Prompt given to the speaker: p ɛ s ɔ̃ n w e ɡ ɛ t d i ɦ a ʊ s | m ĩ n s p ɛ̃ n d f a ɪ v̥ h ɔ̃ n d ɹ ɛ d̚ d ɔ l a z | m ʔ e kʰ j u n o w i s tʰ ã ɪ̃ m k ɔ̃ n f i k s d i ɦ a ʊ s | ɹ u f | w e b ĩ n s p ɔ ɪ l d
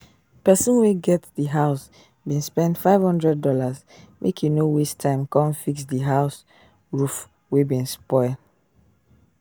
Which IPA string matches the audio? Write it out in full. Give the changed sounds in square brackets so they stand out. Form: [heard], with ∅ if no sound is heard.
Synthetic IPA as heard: p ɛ s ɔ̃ n w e ɡ ɛ t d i ɦ a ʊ s | [b] ĩ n s p ɛ̃ n d f a ɪ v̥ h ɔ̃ n d ɹ ɛ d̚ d ɔ l a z | m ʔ e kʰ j u n o w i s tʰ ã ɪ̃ m k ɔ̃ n f i k s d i ɦ a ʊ s | ɹ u f | w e b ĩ n s p ɔ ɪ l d